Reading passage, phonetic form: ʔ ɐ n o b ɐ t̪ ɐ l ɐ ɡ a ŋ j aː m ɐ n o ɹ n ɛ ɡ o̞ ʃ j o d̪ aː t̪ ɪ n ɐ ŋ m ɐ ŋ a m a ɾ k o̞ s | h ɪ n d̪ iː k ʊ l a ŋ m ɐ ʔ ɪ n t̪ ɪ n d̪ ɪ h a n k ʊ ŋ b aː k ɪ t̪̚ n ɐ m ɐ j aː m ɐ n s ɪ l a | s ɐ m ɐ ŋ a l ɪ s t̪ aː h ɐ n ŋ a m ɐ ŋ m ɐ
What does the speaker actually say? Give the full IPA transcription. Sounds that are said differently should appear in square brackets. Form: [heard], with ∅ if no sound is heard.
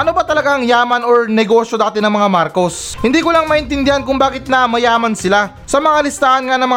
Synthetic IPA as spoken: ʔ ɐ n o b ɐ t̪ ɐ l ɐ ɡ a ŋ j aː m ɐ n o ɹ n ɛ ɡ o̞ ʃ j o d̪ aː t̪ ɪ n ɐ ŋ m ɐ ŋ a m a ɾ k o̞ s | h ɪ n d̪ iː k ʊ l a ŋ m ɐ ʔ ɪ n t̪ ɪ n d̪ ɪ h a n k ʊ ŋ b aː k ɪ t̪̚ n ɐ m ɐ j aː m ɐ n s ɪ l a | s ɐ m ɐ ŋ a l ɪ s t̪ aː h ɐ n ŋ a [n] ɐ ŋ m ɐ